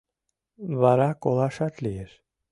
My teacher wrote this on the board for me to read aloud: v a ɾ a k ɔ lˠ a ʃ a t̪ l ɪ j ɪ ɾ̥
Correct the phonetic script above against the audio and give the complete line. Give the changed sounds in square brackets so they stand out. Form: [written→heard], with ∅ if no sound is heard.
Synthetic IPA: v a ɾ a k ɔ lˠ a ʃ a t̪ l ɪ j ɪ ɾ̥